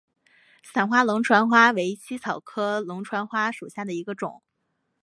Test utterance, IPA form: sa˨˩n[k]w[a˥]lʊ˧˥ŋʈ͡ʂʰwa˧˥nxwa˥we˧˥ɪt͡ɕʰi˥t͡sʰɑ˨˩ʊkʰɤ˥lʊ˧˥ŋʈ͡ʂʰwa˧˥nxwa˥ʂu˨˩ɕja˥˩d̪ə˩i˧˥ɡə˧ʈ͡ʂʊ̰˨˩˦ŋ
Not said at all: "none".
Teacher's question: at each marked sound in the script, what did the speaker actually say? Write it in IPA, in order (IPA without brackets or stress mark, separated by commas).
x, a˥